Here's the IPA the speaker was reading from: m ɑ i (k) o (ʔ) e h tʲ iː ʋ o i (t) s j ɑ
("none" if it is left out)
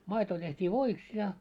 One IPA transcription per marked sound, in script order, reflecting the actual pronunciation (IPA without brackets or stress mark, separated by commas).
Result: t, t, k